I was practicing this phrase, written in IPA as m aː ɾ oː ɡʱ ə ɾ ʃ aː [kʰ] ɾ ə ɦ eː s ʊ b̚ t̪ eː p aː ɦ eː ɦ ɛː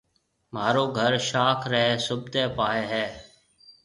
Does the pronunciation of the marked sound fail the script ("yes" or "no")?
no